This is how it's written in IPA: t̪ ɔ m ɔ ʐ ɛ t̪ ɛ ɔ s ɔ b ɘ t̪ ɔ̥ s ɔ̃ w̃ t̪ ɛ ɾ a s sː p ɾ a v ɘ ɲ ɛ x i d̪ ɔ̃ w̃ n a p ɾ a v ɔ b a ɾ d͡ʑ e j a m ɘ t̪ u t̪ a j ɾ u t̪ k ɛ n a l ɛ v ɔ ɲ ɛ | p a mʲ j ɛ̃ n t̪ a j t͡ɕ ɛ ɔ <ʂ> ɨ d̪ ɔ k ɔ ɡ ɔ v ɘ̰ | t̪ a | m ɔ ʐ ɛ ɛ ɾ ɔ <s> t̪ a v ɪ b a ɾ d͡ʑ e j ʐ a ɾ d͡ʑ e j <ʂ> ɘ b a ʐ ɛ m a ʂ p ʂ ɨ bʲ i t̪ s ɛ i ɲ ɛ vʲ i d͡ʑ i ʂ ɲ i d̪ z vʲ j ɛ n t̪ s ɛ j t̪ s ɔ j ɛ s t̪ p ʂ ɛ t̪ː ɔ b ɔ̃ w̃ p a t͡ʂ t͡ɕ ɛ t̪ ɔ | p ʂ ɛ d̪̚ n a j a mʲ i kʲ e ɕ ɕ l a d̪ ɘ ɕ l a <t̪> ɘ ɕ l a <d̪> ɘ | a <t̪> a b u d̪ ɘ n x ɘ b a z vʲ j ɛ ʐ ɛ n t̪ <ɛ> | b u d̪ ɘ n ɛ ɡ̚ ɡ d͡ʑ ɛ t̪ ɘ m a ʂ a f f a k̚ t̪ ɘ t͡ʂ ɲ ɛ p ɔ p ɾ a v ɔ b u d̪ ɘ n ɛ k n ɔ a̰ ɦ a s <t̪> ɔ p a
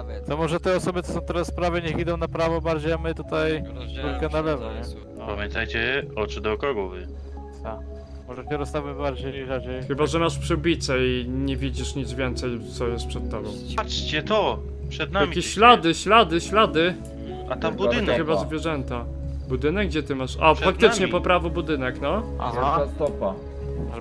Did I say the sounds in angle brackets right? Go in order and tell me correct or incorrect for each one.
incorrect: t͡ʂ, correct, incorrect: x, incorrect: d̪, correct, correct, incorrect: a, correct

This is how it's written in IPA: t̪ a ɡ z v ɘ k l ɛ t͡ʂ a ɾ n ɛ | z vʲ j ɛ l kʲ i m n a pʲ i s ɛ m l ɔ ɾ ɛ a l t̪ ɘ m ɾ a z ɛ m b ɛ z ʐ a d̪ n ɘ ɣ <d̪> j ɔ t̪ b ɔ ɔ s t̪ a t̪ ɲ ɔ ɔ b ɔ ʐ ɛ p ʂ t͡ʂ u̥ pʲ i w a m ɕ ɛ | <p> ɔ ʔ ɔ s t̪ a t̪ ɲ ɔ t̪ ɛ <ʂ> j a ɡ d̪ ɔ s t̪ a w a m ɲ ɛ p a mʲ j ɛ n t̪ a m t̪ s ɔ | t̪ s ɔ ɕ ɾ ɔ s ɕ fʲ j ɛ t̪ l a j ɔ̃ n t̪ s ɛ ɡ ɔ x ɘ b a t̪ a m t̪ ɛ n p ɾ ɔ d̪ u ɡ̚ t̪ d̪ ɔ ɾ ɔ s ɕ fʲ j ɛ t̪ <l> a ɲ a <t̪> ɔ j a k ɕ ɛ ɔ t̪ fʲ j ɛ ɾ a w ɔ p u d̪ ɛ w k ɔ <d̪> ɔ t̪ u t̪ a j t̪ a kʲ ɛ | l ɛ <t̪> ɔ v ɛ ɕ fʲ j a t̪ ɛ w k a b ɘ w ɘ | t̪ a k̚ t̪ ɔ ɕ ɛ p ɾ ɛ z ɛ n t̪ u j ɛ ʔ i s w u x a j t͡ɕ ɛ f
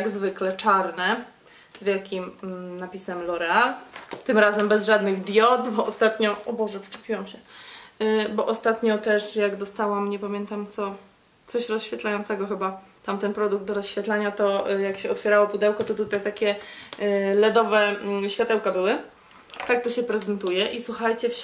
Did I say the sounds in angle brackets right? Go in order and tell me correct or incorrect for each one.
correct, incorrect: b, correct, correct, correct, incorrect: t̪, incorrect: d̪

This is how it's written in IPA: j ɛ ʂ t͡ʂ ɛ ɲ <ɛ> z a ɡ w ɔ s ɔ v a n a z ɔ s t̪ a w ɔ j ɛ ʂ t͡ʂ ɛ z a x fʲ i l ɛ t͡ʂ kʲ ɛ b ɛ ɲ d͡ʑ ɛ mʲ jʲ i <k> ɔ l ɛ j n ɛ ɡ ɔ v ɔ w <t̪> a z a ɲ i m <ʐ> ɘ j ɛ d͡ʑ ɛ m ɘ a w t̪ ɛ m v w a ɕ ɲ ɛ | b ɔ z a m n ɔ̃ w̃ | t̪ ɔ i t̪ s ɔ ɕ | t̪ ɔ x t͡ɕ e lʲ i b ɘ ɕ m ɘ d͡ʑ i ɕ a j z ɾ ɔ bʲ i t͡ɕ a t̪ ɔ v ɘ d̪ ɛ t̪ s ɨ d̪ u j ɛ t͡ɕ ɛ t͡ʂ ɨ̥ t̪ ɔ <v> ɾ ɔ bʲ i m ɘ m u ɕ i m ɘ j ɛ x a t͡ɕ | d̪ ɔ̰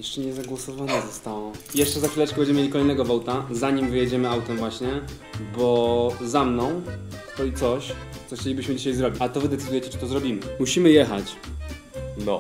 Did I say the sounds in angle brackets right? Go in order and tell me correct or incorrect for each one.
correct, correct, correct, incorrect: v, incorrect: z

